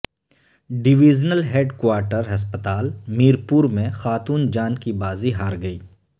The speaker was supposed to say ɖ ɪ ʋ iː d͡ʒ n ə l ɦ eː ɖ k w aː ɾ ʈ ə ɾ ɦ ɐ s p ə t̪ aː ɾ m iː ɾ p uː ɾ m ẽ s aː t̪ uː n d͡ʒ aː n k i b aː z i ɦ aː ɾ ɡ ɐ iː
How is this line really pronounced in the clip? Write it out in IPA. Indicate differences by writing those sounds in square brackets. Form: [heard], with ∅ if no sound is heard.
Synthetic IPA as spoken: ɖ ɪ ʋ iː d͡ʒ n ə l ɦ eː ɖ k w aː ɾ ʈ ə ɾ ɦ ɐ s p ə t̪ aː [l] m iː ɾ p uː ɾ m ẽ [x] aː t̪ uː n d͡ʒ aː n k i b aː z i ɦ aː ɾ ɡ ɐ iː